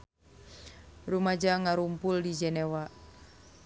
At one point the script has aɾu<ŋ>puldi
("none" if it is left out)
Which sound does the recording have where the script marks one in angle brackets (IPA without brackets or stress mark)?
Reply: m